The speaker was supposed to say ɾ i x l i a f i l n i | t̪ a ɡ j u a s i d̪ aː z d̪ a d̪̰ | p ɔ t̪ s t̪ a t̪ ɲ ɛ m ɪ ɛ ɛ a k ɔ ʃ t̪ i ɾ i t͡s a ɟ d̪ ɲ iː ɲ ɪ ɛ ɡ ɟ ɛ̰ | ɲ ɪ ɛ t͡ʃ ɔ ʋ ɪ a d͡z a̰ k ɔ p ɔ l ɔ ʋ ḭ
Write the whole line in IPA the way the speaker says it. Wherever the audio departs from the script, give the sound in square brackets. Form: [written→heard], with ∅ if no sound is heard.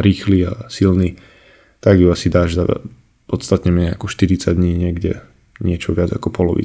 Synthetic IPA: ɾ [i→iː] x l i a [f→s] i l n i | t̪ a ɡ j u a s i d̪ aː [z→ʒ] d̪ a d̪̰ | p ɔ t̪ s t̪ a t̪ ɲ ɛ m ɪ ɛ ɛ a k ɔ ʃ t̪ i ɾ i t͡s a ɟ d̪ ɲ iː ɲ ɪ ɛ ɡ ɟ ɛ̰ | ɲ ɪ ɛ t͡ʃ ɔ ʋ ɪ a d͡z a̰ k ɔ p ɔ l ɔ ʋ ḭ